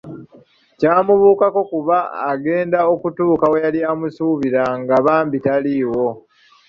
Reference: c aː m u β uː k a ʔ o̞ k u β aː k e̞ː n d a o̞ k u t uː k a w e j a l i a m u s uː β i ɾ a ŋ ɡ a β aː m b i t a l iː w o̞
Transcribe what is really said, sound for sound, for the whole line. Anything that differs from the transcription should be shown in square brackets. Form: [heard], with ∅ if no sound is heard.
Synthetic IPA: c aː m u β uː k a [k] o̞ k u β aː [ɡ] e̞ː n d a o̞ k u t uː k a w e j a l i a m u s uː β i ɾ a ŋ ɡ a β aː m b i t a l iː w o̞